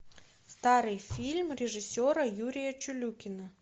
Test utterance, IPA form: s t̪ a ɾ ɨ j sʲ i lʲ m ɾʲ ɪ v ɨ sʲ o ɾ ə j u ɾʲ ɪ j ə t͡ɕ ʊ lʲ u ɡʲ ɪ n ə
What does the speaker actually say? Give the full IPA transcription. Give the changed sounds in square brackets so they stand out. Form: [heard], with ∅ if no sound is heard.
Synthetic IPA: s t̪ a ɾ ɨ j [fʲ] i lʲ m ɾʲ ɪ [ʐ] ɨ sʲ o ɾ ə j u ɾʲ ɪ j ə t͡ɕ ʊ lʲ u [kʲ] ɪ n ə

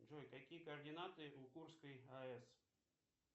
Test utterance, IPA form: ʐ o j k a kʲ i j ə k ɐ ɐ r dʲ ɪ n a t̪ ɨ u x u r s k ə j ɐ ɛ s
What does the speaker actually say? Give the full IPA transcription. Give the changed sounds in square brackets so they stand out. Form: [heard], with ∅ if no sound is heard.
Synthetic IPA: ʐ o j k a kʲ i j ə k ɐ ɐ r dʲ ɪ n a t̪ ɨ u [k] u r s k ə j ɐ ɛ s

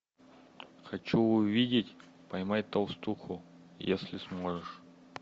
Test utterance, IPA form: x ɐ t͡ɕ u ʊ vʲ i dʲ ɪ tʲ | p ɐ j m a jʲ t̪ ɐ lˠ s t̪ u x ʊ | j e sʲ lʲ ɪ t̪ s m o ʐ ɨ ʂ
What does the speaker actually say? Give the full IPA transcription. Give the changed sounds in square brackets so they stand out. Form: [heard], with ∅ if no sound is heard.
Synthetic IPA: x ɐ t͡ɕ u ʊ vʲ i dʲ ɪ tʲ | p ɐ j m a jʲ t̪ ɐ lˠ s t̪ u x ʊ | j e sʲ lʲ ɪ [∅] s m o ʐ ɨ ʂ

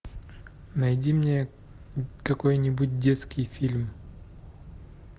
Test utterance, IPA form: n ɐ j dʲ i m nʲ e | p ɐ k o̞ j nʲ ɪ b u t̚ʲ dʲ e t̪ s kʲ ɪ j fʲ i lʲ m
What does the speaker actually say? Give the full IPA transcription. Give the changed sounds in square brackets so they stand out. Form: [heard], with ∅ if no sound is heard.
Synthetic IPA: n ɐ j dʲ i m nʲ e | [k] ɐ k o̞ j nʲ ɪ b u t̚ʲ dʲ e t̪ s kʲ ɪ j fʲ i lʲ m

